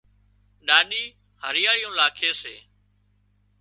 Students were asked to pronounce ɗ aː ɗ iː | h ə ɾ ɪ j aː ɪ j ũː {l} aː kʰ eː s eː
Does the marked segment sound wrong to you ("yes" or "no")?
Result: no